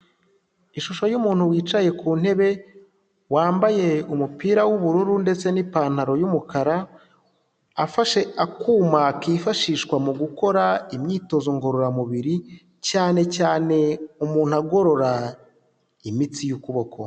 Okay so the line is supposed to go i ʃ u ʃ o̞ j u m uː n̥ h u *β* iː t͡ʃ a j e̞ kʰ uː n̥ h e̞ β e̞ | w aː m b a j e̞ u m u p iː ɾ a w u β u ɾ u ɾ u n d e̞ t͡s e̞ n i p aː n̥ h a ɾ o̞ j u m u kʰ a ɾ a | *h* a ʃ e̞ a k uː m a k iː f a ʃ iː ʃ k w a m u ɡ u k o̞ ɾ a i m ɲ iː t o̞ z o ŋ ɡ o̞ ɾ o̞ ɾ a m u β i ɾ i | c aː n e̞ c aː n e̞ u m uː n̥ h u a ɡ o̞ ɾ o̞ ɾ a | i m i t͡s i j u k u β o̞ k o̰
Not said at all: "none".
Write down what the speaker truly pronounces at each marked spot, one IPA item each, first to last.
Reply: w, f

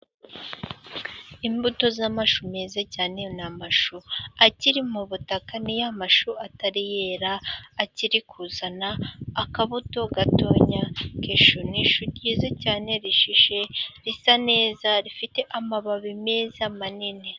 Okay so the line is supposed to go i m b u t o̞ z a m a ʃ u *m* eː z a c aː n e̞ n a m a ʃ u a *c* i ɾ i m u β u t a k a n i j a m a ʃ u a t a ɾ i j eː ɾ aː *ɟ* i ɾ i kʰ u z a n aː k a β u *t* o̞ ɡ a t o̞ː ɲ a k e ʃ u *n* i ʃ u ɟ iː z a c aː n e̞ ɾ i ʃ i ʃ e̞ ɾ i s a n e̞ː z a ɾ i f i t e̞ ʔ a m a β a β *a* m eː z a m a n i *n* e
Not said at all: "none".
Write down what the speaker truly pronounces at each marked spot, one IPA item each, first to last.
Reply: m, c, c, t, n, i, n

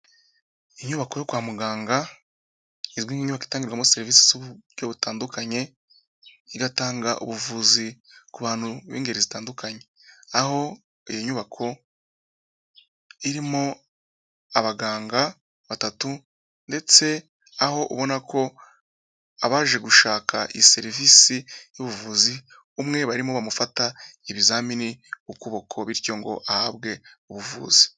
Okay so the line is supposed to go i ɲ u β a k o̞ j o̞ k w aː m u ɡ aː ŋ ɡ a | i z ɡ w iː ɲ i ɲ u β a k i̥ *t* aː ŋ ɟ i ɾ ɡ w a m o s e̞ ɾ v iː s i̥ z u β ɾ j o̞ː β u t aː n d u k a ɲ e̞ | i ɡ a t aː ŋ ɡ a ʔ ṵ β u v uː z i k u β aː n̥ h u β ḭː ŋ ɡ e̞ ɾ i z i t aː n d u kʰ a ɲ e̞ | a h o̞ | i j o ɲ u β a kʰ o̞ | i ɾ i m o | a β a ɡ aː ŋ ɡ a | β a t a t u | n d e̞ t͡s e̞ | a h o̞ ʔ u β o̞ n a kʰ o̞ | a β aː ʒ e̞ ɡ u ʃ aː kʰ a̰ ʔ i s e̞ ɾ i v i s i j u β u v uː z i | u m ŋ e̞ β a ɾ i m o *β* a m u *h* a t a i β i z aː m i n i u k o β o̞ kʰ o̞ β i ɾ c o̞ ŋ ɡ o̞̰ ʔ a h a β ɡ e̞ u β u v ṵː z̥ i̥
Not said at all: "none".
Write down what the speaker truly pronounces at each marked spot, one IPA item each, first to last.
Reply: t, β, f

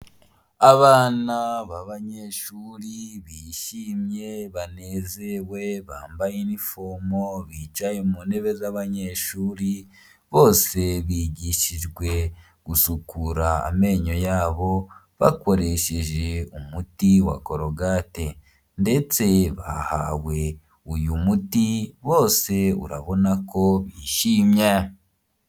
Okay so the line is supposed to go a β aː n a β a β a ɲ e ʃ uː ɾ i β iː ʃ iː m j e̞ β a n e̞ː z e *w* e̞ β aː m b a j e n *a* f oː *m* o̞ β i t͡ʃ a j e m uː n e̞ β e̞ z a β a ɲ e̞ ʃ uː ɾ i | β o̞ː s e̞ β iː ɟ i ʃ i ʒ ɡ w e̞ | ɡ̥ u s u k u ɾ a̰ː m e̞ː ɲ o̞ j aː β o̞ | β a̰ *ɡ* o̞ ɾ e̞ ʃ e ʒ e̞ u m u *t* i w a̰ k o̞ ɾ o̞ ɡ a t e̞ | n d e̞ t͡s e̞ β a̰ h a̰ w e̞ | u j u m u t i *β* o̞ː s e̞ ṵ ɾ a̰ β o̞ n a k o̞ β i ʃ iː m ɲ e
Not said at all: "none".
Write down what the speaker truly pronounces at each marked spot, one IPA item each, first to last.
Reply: w, i, m, k, t, β

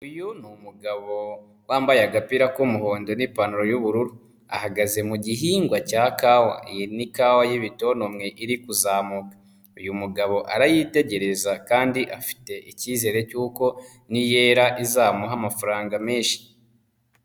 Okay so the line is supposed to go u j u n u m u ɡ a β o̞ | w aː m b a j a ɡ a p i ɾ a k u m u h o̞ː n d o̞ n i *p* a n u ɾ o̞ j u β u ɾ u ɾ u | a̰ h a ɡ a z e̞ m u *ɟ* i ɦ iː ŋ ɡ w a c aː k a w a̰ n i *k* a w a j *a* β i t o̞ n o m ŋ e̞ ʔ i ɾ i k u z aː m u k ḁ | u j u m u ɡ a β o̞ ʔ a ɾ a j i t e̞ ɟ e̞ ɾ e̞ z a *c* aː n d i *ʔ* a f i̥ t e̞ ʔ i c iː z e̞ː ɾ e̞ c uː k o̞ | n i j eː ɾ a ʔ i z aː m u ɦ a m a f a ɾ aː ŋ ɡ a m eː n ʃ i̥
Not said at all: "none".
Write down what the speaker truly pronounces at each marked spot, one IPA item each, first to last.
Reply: p, ɟ, k, i, k, ʔ

